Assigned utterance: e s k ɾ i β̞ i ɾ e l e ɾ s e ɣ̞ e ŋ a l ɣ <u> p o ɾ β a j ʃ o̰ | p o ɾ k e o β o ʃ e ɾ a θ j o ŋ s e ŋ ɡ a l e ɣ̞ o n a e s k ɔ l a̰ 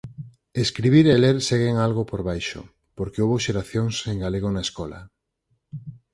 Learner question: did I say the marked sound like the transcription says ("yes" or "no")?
no